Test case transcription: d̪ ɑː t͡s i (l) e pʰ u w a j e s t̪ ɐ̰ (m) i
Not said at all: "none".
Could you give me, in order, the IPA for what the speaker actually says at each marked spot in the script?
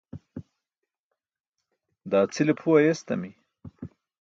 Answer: l, m

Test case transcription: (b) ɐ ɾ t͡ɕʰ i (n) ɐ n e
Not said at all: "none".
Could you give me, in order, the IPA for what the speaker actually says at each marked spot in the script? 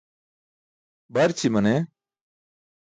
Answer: b, m

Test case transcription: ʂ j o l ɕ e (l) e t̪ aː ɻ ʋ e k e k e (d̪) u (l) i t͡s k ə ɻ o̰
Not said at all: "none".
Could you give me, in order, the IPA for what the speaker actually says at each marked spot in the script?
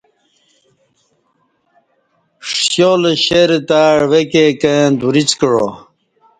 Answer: ɾ, d̪, ɾ

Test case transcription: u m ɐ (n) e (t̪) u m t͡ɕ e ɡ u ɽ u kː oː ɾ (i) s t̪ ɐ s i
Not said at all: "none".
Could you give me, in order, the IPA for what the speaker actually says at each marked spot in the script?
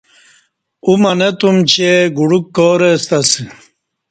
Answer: n, t̪, e

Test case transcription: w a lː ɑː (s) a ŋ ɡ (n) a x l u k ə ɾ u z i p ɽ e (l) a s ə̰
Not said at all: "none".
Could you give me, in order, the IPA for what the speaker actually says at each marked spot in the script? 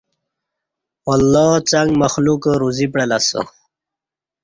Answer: t͡s, m, l

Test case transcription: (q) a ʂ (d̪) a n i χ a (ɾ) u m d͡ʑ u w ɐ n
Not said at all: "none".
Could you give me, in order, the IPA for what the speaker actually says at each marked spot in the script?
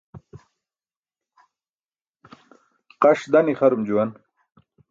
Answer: q, d̪, ɾ

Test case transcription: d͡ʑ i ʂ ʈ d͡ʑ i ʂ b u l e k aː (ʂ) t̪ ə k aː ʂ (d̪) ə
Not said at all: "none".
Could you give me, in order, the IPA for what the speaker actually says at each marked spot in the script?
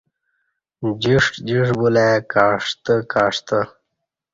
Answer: ʂ, t̪

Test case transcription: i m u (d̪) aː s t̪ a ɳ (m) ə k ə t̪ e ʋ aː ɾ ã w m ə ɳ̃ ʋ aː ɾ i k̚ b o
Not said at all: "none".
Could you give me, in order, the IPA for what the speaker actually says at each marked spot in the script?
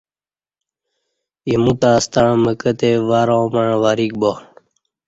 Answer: t̪, m

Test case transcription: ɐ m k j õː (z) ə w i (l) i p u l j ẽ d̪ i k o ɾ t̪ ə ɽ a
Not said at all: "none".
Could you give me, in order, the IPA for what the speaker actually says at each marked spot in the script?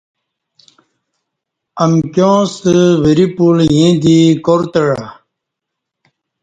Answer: s, ɾ

